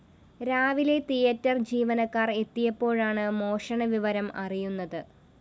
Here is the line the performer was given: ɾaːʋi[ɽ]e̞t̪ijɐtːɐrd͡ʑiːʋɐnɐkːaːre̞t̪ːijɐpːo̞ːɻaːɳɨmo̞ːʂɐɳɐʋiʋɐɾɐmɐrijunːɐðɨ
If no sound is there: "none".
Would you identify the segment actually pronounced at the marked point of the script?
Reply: l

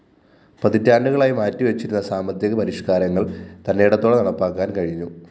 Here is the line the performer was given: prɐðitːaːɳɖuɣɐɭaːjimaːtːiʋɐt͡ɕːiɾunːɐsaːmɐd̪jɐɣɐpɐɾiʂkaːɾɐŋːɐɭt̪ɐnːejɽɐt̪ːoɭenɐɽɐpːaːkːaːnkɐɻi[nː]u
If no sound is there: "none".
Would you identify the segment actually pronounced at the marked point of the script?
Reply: ɲː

